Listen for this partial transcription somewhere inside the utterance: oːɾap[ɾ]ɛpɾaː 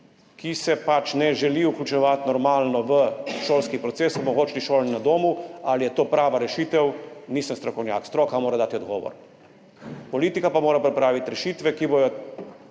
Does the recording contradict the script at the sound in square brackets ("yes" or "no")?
no